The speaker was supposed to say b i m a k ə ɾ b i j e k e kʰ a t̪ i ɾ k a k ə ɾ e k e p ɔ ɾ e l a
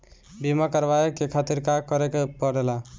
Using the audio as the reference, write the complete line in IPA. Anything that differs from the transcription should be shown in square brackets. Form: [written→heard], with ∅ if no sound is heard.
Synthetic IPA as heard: b i m a k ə ɾ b [i→a] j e k e kʰ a t̪ i ɾ k a k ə ɾ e k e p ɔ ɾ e l a

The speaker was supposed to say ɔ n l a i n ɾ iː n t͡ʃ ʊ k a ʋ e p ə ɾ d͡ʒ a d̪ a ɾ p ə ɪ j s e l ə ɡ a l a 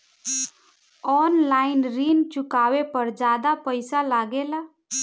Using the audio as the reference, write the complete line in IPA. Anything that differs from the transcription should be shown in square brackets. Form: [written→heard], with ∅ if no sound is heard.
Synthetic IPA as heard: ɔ n l a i n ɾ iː n t͡ʃ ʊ k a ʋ e p ə ɾ d͡ʒ a d̪ a [ɾ→∅] p ə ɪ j s [e→a] l [ə→a] ɡ [a→e] l a

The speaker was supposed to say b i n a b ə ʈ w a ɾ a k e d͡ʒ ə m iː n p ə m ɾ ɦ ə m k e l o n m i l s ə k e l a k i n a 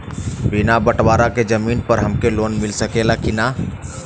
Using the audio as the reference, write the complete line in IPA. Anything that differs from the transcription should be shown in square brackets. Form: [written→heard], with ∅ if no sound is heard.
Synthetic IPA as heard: b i n a b ə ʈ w a ɾ a k e d͡ʒ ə m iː n p ə [m→∅] ɾ ɦ ə m k e l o n m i l s ə k e l a k i n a

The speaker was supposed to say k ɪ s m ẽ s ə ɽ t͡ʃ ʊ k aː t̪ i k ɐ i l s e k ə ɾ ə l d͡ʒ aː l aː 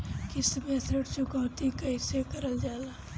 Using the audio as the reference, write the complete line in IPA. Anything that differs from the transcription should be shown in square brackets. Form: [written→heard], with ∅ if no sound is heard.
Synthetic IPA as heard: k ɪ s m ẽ s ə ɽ t͡ʃ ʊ k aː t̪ i k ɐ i [l→∅] s e k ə ɾ ə l d͡ʒ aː l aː

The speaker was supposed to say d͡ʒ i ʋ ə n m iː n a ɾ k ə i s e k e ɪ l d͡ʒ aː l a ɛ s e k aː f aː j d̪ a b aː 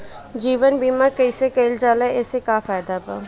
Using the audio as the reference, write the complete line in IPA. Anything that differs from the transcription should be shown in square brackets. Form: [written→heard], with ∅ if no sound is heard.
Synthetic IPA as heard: d͡ʒ [i→iː] ʋ ə n [m→b] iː [n→m] a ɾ k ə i s e k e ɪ l d͡ʒ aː l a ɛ s e k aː f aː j d̪ a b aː

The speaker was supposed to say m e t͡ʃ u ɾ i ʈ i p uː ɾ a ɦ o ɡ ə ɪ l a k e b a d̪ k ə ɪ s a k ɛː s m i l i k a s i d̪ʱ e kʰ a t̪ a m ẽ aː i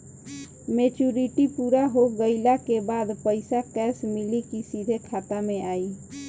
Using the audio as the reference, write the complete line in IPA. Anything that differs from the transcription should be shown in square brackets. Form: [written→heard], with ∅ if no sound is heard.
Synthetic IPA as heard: m e t͡ʃ u ɾ i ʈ i p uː ɾ a ɦ o ɡ ə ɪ l a k e b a d̪ [k→p] ə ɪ s a k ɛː s m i l i k [a→i] s i d̪ʱ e kʰ a t̪ a m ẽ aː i

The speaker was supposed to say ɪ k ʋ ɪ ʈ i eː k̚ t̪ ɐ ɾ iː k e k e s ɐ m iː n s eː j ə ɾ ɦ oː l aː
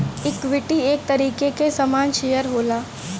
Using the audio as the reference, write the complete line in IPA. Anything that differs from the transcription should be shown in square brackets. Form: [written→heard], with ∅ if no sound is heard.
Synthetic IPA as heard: ɪ k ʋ ɪ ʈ i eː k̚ t̪ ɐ ɾ iː k e k e s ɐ m [iː→aː] n [s→ʃ] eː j ə ɾ ɦ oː l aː

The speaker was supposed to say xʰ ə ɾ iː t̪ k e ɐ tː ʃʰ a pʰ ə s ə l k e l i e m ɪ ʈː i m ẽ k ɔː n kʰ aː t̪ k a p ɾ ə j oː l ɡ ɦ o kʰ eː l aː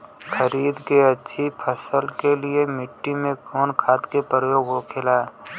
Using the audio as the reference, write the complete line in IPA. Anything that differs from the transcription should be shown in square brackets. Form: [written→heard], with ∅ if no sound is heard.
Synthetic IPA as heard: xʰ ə ɾ iː [t̪→d̪] k e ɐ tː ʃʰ [a→i] pʰ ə s ə l k e l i e m ɪ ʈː i m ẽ k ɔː n kʰ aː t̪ k [a→e] p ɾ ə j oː [l→∅] ɡ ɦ o kʰ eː l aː

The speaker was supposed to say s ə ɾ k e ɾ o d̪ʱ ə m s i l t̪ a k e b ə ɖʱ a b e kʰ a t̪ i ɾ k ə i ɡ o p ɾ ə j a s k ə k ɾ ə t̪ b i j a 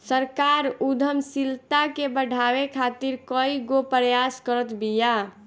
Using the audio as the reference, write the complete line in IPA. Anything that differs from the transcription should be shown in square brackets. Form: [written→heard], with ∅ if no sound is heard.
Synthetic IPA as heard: s ə ɾ k [e→a] ɾ [o→u] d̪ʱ ə m s i l t̪ a k e b ə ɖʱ a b e kʰ a t̪ i ɾ k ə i ɡ o p ɾ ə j a s k ə [k→∅] ɾ ə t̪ b i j a

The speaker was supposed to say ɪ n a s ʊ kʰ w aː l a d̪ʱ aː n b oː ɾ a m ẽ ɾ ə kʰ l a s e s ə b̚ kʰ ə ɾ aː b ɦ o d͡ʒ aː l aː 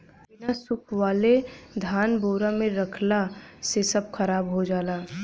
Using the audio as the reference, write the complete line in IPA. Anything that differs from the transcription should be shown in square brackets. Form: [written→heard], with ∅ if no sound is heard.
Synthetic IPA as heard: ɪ n a s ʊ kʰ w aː l [a→e] d̪ʱ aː n b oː ɾ a m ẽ ɾ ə kʰ l a s e s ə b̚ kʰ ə ɾ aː b ɦ o d͡ʒ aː l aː

